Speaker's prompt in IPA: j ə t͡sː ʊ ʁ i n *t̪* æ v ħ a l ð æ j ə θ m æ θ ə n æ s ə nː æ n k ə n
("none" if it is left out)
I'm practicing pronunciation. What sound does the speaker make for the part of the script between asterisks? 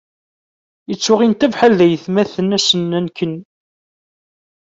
t̪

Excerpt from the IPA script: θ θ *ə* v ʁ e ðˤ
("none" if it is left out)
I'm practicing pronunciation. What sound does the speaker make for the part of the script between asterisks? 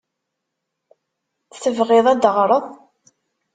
ə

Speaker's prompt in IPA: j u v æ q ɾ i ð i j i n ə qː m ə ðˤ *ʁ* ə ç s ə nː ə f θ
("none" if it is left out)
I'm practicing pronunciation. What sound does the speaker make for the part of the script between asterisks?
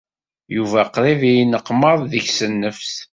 ð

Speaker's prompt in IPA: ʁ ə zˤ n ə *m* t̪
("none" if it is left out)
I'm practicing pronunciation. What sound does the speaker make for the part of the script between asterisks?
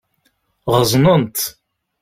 n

